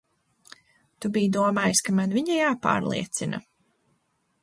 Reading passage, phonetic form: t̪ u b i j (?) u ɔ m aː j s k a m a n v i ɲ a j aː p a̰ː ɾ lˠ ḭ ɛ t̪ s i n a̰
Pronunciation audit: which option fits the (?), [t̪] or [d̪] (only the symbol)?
d̪